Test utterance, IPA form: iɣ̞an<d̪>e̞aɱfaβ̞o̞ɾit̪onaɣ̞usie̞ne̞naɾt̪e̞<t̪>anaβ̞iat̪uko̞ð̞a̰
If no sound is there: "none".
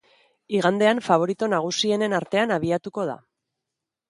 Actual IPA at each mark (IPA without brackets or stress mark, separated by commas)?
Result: d̪, none